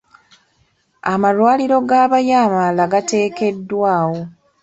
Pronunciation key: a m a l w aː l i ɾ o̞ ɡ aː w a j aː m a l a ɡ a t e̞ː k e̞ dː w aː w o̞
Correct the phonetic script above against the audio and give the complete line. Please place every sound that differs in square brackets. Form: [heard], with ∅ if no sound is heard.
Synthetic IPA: a m a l w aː l i ɾ o̞ ɡ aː [β] a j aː m a l a ɡ a t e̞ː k e̞ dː w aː w o̞